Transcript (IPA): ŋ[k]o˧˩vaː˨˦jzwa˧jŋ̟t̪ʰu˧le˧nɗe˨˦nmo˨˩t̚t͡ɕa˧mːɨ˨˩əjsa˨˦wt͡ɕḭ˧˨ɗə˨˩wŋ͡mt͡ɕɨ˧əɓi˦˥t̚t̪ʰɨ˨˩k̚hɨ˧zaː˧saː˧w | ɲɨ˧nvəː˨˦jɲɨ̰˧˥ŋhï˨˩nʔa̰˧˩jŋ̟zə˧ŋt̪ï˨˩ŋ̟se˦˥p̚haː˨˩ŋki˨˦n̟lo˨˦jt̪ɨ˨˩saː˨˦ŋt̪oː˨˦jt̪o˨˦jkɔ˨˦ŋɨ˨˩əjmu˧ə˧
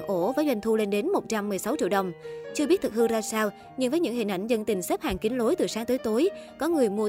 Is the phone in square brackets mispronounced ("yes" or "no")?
yes